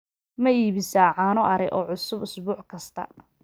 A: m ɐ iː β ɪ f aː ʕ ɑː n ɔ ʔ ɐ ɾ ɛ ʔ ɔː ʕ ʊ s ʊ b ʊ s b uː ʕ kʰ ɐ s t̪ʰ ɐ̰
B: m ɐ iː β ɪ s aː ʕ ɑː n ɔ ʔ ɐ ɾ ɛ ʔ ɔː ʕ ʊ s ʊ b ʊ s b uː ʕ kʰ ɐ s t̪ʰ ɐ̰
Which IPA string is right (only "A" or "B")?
B